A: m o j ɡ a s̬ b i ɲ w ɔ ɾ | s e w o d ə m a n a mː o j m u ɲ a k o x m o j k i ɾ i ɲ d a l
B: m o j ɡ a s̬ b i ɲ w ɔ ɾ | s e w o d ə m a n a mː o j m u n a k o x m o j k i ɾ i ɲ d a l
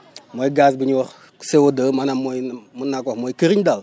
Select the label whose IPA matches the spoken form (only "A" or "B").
B